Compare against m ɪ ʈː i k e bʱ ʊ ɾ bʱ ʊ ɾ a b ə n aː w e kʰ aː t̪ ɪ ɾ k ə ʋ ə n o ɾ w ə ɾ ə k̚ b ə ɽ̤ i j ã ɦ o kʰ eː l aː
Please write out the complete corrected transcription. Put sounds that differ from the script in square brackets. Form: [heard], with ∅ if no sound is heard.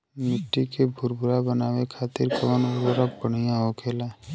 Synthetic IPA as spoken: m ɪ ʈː i k e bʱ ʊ ɾ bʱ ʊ ɾ a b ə n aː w e kʰ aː t̪ ɪ ɾ k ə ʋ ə n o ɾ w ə ɾ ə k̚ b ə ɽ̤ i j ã ɦ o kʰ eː l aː